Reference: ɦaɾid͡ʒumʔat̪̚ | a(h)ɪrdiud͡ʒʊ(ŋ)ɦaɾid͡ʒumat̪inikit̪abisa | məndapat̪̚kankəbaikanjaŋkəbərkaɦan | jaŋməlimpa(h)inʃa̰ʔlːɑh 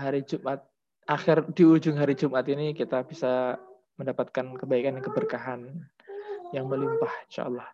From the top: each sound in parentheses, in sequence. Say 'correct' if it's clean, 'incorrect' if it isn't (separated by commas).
incorrect, correct, correct